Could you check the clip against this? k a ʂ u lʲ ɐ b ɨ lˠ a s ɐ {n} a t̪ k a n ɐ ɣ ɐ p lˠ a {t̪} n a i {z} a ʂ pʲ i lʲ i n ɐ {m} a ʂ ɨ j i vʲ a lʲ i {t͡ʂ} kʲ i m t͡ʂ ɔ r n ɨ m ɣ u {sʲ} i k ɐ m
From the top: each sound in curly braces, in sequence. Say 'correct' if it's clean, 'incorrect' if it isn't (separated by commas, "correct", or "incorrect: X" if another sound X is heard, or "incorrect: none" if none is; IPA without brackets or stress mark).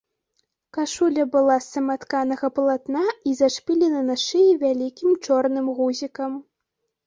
incorrect: m, correct, correct, incorrect: n, incorrect: none, incorrect: zʲ